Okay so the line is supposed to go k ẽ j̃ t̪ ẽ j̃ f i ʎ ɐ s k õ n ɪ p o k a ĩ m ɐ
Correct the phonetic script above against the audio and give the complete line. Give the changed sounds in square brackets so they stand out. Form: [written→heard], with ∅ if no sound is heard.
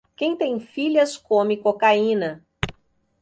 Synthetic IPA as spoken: k ẽ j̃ t̪ ẽ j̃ f i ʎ ɐ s k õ [n→m] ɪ [p→k] o k a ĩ [m→n] ɐ